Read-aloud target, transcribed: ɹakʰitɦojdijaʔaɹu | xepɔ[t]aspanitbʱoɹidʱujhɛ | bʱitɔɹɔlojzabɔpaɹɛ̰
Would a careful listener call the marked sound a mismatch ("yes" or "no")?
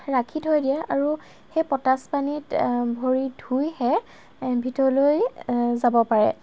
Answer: no